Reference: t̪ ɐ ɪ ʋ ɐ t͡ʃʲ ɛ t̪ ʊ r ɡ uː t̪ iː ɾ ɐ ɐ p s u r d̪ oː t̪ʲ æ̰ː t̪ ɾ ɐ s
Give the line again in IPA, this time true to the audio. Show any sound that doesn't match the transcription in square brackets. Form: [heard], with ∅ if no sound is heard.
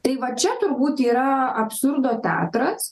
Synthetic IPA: t̪ ɐ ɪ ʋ ɐ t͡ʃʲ ɛ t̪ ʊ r [b] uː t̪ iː ɾ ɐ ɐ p s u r d̪ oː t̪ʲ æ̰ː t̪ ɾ ɐ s